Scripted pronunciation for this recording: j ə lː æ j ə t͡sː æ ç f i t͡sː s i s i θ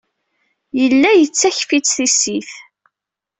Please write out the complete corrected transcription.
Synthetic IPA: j ə lː æ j ə t͡sː æ ç f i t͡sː θ i s i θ